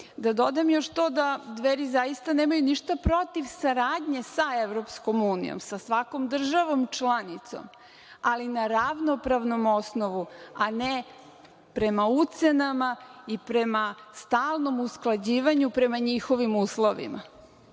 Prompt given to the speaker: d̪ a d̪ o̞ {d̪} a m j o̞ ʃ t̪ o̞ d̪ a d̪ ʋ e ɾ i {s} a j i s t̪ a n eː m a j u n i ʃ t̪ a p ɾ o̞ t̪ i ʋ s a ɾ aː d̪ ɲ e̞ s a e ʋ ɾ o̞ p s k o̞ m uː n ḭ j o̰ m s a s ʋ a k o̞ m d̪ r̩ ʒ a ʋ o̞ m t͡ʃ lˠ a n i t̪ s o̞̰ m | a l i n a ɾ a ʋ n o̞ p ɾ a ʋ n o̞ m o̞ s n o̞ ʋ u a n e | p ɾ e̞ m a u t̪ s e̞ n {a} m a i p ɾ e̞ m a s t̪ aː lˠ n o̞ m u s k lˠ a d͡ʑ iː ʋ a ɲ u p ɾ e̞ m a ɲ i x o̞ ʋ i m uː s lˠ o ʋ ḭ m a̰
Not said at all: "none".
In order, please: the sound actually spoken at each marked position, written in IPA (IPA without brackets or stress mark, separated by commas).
d̪, z, a